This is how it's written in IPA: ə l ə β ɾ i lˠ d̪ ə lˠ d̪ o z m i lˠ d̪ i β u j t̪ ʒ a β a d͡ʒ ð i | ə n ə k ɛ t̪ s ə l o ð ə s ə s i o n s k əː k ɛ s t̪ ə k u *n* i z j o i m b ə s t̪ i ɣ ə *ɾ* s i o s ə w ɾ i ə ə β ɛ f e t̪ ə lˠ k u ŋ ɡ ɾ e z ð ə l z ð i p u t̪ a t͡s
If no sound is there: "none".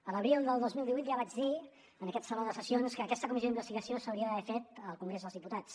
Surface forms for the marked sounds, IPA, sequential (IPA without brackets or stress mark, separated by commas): m, none